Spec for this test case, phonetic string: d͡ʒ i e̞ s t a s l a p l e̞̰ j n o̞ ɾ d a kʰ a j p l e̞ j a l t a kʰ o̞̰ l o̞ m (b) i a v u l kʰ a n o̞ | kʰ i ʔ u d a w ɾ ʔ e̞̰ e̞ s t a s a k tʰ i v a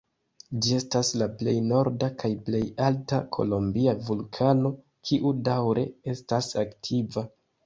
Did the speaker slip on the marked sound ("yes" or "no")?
no